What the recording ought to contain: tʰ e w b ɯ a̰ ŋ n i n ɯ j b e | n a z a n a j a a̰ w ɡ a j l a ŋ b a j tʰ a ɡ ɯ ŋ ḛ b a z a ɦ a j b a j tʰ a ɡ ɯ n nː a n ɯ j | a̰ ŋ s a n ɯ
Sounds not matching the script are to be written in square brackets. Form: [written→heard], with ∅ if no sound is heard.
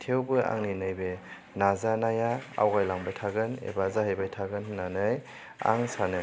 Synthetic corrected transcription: tʰ e w b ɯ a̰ ŋ n i n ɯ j b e | n a z a n a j a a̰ w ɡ a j l a ŋ b a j tʰ a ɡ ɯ [ŋ→n] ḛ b a z a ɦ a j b a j tʰ a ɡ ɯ n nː a n ɯ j | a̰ ŋ s a n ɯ